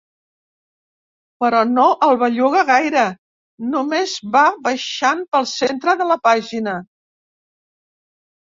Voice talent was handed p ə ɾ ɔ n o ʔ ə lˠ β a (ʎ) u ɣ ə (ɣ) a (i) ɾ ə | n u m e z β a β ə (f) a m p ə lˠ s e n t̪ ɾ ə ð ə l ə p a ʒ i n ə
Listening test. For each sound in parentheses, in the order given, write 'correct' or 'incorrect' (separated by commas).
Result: correct, correct, incorrect, incorrect